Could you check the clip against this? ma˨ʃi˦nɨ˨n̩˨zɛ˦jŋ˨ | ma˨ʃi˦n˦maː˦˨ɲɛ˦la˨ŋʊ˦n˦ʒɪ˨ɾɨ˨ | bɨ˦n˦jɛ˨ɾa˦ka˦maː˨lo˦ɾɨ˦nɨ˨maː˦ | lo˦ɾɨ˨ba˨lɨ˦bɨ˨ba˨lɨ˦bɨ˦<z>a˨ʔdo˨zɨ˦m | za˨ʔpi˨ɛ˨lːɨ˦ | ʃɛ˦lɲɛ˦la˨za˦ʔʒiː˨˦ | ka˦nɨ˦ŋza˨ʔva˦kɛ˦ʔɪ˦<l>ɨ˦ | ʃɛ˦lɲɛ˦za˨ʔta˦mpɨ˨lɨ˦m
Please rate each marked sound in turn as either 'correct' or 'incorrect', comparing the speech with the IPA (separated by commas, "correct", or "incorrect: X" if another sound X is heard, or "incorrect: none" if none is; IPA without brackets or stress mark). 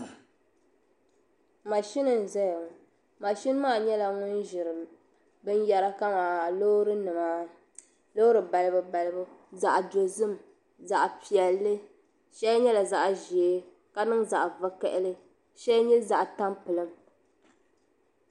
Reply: correct, correct